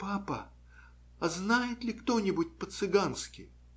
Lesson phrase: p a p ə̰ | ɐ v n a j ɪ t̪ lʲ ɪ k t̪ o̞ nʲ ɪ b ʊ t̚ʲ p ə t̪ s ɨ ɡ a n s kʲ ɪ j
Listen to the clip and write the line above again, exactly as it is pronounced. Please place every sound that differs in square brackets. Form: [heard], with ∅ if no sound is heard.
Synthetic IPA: p a p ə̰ | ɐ [z] n a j ɪ t̪ lʲ ɪ k t̪ o̞ nʲ ɪ b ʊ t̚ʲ p ə t̪ s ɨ ɡ a n s kʲ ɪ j